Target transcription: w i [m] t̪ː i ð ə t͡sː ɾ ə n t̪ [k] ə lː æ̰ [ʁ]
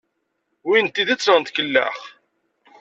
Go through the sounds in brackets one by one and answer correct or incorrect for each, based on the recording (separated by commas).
incorrect, correct, incorrect